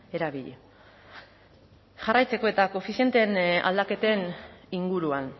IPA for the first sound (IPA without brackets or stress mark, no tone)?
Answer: e̞